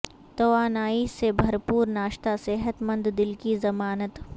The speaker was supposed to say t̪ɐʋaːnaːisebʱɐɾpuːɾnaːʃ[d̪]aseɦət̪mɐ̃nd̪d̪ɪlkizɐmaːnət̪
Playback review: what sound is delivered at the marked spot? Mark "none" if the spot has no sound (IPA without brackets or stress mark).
t̪